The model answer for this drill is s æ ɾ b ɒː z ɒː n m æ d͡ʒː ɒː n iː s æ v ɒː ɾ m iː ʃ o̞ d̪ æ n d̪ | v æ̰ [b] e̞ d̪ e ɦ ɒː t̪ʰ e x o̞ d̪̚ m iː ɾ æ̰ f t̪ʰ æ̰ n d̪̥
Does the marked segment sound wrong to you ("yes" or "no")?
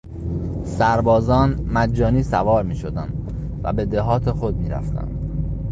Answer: no